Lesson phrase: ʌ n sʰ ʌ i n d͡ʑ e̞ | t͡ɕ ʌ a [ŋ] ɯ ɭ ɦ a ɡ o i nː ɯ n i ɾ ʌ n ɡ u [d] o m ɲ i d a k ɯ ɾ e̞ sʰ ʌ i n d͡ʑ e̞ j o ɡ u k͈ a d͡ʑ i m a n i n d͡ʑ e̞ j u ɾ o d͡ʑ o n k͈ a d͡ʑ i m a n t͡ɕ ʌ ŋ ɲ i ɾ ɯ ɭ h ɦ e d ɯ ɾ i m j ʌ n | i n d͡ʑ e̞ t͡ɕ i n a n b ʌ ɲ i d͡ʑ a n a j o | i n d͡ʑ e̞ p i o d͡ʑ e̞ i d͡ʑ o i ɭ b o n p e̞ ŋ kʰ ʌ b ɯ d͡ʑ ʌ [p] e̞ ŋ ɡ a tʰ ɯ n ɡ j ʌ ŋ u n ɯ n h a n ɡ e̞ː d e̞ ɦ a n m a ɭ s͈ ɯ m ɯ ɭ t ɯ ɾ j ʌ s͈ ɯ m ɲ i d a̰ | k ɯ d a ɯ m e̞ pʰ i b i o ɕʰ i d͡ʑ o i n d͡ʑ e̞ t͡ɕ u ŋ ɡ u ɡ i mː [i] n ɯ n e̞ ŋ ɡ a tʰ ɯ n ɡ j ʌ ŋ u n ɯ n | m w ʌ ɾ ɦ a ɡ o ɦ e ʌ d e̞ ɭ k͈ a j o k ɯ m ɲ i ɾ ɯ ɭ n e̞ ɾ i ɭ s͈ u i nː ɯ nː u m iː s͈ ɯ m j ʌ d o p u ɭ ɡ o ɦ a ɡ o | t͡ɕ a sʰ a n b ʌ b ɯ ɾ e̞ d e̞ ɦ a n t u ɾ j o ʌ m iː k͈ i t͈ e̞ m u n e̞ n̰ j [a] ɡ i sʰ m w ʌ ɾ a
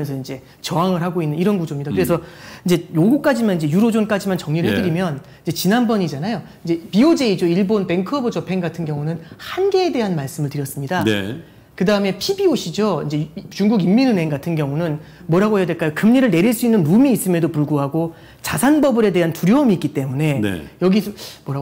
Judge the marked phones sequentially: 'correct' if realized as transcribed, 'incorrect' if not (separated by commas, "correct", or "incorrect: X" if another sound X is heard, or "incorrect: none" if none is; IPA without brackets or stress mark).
correct, incorrect: d͡ʑ, incorrect: pʰ, correct, incorrect: ʌ